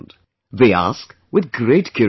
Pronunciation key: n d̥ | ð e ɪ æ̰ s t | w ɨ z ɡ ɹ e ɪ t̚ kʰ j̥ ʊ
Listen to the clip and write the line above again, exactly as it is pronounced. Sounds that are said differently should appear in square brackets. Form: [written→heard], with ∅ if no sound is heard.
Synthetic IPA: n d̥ | ð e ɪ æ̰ s [t→k] | w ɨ [z→ð] ɡ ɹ e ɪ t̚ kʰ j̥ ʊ